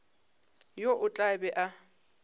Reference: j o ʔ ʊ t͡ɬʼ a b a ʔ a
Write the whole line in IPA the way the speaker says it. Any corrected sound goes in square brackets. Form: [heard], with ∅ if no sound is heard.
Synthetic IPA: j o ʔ ʊ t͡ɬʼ a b [ɛ] ʔ a